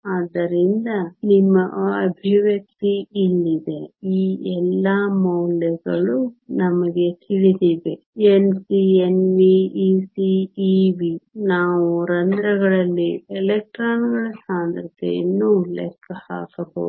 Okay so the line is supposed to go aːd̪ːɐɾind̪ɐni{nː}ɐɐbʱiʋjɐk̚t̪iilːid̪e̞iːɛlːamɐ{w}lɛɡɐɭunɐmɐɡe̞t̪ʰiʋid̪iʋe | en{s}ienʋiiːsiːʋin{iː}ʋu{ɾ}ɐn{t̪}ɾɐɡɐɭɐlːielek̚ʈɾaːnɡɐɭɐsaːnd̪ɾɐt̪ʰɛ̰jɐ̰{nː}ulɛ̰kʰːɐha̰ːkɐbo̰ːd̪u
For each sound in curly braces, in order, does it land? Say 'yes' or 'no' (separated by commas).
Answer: no, yes, yes, no, yes, no, yes